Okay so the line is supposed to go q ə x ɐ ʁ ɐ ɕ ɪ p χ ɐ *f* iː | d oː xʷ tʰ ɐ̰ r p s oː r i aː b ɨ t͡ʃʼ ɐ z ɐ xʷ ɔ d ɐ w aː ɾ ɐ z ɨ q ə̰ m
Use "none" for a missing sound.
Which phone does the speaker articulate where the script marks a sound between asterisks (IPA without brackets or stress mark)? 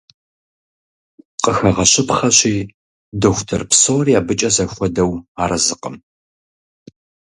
ɕ